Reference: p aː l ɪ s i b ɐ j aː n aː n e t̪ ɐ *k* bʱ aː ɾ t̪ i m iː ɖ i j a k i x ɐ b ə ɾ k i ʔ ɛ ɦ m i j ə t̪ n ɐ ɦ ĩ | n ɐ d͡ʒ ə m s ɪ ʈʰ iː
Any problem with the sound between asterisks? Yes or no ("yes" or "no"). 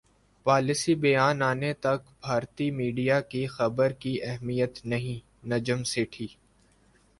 no